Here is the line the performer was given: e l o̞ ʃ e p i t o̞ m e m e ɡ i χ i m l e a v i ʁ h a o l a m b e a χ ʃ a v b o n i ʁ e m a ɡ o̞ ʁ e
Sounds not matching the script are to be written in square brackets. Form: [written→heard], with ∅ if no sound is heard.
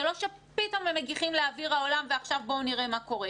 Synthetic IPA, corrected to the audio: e l o̞ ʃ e p i t o̞ m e m e ɡ i χ i m l e a v i ʁ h a o l a m [b→v] e a χ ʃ a v b o n i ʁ e m a [ɡ→k] o̞ ʁ e